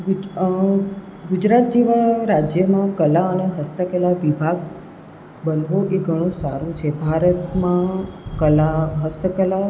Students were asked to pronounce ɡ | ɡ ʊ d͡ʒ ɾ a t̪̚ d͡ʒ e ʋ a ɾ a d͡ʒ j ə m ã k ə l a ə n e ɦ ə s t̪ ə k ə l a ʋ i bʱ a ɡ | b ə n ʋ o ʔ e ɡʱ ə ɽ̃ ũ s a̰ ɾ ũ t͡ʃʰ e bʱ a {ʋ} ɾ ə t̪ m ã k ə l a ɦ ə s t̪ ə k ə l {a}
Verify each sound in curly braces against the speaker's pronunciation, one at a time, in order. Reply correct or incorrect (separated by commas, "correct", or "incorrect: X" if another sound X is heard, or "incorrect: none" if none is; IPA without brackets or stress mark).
incorrect: none, correct